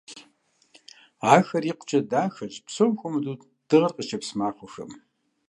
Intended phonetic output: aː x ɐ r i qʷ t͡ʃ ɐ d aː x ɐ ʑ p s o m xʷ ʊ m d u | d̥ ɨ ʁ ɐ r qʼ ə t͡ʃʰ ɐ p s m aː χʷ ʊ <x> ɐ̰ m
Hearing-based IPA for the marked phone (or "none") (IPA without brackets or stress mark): x